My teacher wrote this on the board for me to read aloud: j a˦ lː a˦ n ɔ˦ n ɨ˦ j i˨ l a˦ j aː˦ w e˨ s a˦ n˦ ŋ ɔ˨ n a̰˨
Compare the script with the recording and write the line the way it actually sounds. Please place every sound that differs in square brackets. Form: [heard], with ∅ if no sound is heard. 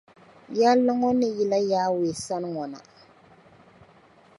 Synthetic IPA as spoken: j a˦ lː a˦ [ŋ] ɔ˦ n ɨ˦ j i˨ l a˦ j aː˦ w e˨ s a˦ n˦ ŋ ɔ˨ n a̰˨